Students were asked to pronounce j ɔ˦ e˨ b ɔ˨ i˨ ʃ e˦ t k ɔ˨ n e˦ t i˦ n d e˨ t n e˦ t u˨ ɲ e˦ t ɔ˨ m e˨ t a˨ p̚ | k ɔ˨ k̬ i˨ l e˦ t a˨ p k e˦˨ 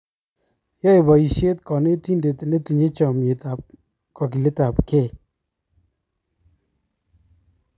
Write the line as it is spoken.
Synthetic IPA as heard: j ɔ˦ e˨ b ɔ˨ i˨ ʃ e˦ t k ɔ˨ n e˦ t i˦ n d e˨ t n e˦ t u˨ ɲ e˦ t͡ʃ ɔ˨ m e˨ t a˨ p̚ | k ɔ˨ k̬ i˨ l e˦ t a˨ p k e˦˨

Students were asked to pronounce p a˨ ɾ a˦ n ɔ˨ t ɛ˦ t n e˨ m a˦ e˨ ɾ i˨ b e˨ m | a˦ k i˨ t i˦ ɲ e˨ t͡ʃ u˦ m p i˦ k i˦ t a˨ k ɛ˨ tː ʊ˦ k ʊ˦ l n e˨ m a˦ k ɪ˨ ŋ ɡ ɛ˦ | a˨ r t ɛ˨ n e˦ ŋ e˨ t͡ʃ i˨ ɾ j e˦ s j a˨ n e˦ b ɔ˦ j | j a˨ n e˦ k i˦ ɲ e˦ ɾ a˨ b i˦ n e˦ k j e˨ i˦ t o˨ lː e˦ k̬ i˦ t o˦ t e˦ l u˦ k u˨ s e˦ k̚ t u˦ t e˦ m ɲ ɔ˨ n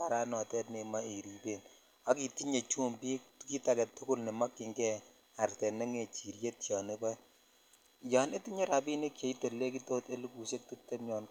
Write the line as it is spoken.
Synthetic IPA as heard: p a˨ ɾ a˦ n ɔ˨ t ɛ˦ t n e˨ m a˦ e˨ ɾ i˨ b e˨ n | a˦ k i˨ t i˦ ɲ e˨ t͡ʃ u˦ m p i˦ k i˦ t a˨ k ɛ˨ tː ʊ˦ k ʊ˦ l n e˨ m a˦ k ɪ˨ ŋ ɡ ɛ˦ | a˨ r t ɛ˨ n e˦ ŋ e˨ t͡ʃ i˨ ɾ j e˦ t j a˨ n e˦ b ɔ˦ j | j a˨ n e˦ t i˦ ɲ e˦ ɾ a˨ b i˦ n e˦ k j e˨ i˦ t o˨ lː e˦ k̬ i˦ t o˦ t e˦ l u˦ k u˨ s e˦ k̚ t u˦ t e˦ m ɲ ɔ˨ n

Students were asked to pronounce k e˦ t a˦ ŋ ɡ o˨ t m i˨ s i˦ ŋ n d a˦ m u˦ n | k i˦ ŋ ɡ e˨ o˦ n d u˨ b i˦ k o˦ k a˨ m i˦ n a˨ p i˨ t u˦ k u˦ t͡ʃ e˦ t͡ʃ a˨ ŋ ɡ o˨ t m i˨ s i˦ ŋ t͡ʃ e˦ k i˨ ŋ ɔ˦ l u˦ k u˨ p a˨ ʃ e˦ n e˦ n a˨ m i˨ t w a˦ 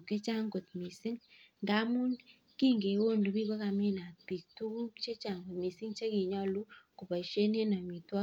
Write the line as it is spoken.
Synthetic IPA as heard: k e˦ t͡ʃ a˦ ŋ ɡ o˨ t m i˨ s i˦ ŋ n d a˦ m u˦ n | k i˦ ŋ ɡ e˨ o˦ n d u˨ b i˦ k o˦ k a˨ m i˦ n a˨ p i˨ t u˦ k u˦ t͡ʃ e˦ t͡ʃ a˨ ŋ ɡ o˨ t m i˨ s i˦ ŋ t͡ʃ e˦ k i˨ ɲ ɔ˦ l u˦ k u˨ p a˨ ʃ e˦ n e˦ n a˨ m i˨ t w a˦

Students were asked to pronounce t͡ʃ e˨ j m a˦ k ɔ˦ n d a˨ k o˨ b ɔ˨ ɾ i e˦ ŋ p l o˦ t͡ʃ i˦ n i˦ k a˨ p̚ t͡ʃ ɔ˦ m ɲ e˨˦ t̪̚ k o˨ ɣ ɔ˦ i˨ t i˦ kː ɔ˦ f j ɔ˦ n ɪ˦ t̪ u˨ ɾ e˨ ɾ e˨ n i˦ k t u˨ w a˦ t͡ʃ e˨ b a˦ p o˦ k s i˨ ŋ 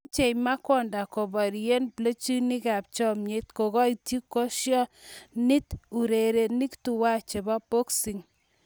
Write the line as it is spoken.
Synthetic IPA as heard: t͡ʃ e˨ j m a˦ k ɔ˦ n d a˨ k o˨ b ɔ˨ ɾ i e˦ n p l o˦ t͡ʃ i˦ n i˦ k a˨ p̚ t͡ʃ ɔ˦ m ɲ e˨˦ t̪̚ k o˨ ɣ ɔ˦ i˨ t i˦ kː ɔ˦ ʃ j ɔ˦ n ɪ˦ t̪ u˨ ɾ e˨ ɾ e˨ n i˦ k t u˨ w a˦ t͡ʃ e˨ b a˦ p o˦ k s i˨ ŋ

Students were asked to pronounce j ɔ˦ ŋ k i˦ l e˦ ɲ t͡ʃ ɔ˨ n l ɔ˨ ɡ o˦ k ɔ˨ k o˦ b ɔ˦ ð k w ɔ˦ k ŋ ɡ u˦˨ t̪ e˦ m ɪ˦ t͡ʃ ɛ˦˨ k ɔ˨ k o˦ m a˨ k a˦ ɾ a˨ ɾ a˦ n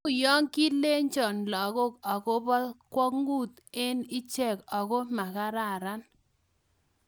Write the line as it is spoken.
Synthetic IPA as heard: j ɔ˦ ŋ k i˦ l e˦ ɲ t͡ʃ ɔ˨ n l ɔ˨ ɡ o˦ k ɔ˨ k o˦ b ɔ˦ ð k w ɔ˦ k ŋ ɡ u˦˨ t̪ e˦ n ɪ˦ t͡ʃ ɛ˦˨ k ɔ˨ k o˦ m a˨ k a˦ ɾ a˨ ɾ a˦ n

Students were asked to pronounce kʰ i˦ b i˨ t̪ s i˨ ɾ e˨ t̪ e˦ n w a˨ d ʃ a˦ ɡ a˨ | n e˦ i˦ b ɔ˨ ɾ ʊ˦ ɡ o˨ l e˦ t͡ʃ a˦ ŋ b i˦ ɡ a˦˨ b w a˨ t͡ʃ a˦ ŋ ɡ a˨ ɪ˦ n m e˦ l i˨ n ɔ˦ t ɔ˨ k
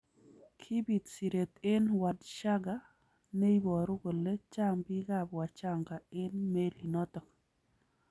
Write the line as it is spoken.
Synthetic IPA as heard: kʰ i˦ b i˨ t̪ s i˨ ɾ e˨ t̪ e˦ n w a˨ d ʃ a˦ ɡ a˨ | n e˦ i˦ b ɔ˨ ɾ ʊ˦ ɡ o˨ l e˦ t͡ʃ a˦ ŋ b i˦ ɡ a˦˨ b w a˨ t͡ʃ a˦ ŋ ɡ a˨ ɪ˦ n m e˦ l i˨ n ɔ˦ t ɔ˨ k

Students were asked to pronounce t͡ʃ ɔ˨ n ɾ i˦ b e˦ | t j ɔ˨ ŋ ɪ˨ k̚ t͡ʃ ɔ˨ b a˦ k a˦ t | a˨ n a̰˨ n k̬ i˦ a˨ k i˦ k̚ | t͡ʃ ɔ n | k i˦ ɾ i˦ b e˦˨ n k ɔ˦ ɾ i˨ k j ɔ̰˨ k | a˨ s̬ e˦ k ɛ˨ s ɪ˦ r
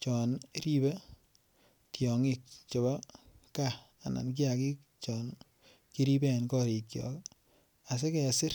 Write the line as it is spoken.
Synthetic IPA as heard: t͡ʃ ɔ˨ n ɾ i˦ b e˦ | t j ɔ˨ ŋ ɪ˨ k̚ t͡ʃ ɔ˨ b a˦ k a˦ | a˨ n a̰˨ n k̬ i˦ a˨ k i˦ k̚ | t͡ʃ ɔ n | k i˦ ɾ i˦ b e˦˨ n k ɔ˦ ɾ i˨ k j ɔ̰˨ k | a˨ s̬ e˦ k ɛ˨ s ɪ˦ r

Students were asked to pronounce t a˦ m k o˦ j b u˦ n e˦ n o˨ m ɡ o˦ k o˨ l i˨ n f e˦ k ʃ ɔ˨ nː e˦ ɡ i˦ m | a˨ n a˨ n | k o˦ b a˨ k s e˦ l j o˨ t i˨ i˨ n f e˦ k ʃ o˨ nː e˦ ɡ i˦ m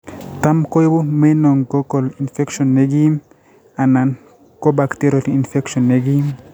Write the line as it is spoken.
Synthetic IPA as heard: t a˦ m k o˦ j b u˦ m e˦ n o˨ ŋ ɡ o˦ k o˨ l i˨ n f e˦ k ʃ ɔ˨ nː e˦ ɡ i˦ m | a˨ n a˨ n | k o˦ b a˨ k t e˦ ɾ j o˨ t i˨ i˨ n f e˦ k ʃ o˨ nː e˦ ɡ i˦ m

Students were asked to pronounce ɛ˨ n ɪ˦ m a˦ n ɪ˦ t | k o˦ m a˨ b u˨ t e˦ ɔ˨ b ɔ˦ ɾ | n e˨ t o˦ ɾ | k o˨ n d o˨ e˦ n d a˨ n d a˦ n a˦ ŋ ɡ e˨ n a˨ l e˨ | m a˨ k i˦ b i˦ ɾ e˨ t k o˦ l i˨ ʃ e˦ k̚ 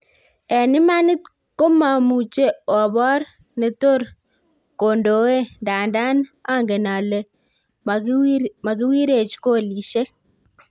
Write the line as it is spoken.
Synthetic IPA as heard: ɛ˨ n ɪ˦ m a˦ n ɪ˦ t | k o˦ m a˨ m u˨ t͡ʃ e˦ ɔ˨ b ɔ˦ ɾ | n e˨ t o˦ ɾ | k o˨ n d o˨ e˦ n d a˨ n d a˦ n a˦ ŋ ɡ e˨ n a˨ l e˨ | m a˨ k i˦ w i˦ ɾ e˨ t͡ʃ k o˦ l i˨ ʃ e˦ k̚

